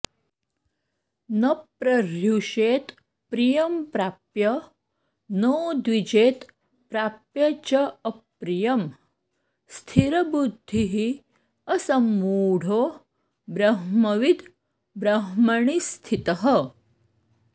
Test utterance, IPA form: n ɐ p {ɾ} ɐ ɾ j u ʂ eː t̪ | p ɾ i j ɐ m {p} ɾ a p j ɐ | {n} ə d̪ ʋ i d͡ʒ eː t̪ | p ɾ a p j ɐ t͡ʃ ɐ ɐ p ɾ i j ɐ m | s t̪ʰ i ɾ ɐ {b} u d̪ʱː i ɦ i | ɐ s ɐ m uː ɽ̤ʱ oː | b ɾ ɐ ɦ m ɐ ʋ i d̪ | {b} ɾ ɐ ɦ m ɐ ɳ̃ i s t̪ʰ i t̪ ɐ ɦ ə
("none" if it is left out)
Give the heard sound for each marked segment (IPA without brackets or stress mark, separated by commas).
ɾ, p, n, b, b